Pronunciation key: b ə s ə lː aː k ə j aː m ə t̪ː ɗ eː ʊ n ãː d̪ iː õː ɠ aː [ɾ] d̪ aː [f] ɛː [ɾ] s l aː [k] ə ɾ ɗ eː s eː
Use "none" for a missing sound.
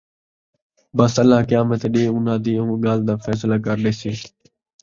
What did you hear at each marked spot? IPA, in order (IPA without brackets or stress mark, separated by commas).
l, f, none, k